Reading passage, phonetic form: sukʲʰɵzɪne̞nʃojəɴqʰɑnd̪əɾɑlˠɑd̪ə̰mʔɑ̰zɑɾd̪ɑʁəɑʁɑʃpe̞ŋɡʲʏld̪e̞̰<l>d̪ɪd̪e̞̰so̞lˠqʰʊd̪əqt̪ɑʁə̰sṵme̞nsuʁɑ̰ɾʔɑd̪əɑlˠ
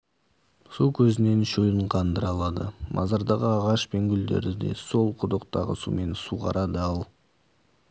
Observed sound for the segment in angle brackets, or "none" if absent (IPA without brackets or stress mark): ɾ